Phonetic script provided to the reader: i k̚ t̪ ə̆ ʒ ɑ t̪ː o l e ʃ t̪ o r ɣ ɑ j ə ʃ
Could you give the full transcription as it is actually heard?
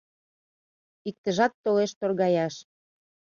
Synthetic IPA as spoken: i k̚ t̪ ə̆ ʒ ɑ t̪ː o l e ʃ t̪ o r ɣ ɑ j ɑ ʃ